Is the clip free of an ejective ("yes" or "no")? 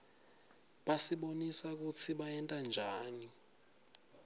no